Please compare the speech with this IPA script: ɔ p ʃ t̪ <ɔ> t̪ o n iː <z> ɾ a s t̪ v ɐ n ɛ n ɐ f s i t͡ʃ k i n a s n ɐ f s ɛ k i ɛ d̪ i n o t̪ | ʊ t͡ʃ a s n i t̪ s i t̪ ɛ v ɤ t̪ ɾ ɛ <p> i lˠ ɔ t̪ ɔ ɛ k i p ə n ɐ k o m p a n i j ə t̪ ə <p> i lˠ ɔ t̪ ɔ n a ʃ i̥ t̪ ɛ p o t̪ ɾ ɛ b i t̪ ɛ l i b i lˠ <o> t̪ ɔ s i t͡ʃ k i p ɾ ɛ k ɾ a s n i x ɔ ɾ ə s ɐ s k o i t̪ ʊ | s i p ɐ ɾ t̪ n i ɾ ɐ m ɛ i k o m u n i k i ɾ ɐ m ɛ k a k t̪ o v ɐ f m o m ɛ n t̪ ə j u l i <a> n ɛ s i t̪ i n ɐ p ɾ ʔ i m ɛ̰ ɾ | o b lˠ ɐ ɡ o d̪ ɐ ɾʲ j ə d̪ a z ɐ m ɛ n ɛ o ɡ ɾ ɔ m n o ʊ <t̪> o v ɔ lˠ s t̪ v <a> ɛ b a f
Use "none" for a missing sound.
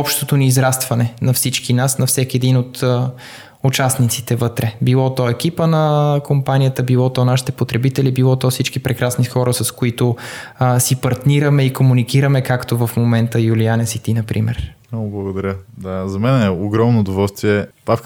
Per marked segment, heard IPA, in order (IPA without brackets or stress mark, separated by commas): o, z, b, b, ɔ, a, d̪, i